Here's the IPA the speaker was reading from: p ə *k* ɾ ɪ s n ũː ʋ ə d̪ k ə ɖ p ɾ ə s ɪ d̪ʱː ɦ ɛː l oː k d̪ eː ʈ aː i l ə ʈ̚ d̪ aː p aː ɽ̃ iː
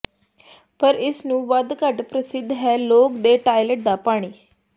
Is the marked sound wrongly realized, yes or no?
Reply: yes